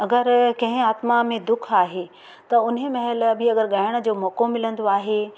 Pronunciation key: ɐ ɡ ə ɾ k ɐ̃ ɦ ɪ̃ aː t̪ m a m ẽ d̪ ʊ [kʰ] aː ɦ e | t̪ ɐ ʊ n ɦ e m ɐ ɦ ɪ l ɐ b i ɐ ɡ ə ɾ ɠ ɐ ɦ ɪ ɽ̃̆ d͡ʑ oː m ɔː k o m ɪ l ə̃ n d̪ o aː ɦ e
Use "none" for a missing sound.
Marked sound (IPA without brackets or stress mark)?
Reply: kʰ